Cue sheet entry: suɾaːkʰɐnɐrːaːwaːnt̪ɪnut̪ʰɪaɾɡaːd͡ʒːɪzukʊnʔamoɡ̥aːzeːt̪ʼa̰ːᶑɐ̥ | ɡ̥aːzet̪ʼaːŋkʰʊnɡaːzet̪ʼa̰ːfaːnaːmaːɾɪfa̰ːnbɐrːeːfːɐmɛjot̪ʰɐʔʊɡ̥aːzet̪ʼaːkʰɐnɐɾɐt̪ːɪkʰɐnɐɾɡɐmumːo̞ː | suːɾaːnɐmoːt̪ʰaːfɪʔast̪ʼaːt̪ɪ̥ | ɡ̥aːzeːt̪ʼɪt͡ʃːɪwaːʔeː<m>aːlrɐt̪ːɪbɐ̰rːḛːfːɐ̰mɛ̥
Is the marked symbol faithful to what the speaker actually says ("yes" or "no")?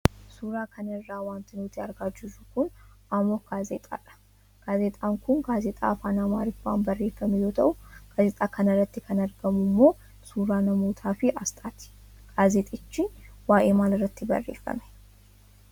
yes